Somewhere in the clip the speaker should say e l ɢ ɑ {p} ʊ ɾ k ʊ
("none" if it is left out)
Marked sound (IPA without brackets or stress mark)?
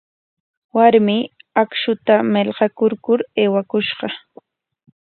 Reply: k